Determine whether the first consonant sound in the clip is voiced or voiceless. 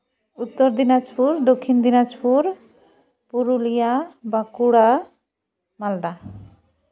voiceless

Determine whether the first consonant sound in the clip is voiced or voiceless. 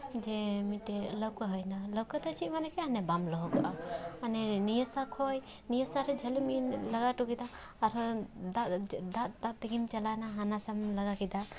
voiced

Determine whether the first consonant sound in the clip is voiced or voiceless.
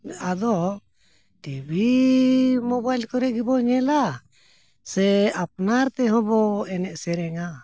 voiced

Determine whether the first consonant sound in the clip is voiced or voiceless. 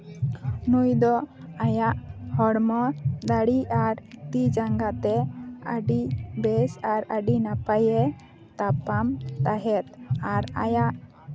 voiced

